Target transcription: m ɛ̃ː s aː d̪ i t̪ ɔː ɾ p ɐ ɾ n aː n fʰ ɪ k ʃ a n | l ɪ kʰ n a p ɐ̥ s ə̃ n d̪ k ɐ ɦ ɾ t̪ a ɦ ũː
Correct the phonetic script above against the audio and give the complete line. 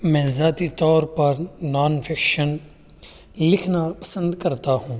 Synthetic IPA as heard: m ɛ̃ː z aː t̪ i t̪ ɔː ɾ p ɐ ɾ n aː n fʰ ɪ k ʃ ə n | l ɪ kʰ n a p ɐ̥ s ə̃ n d̪ k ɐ ɾ t̪ a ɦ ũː